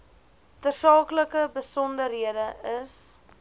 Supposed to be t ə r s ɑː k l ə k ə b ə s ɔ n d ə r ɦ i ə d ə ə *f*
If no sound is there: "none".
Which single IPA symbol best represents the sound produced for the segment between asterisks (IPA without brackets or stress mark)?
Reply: s